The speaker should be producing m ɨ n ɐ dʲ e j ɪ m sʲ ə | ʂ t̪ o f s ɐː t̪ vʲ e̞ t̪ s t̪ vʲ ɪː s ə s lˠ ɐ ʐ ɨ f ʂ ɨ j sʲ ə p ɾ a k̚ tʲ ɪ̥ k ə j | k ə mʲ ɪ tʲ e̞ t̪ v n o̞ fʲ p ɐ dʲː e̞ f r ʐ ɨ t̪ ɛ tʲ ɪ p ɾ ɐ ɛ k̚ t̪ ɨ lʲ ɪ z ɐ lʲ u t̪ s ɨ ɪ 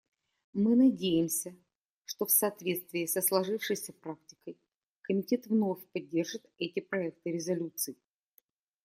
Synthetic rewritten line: m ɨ n ɐ dʲ e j ɪ m sʲ ə | ʂ t̪ o f s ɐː t̪ vʲ e̞ t̪ s t̪ vʲ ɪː s ə s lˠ ɐ ʐ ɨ f ʂ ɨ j sʲ ə p ɾ a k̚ tʲ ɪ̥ k ə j | k ə mʲ ɪ tʲ e̞ t̪ v n o̞ fʲ p ɐ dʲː e̞ r ʐ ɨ t̪ ɛ tʲ ɪ p ɾ ɐ ɛ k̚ t̪ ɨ ɾʲ ɪ z ɐ lʲ u t̪ s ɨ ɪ